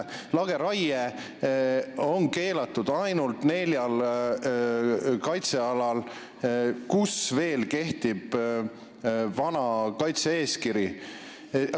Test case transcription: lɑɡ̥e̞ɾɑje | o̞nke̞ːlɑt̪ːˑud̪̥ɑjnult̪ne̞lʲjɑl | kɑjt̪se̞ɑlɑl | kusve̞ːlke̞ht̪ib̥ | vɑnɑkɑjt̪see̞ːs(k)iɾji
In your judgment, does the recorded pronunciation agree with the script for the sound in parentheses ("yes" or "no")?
yes